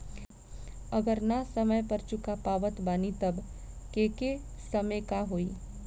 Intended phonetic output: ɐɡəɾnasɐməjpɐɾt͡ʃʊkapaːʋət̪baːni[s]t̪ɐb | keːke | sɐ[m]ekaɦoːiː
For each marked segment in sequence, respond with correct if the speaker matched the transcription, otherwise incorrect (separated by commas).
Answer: incorrect, correct